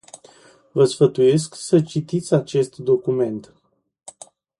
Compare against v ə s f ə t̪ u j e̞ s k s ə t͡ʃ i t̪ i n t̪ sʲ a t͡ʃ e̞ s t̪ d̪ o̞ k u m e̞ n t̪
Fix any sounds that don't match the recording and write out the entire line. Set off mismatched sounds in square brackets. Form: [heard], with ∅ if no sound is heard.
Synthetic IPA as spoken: v ə s f ə t̪ u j e̞ s k s ə t͡ʃ i t̪ i [∅] t̪ sʲ a t͡ʃ e̞ s t̪ d̪ o̞ k u m e̞ n t̪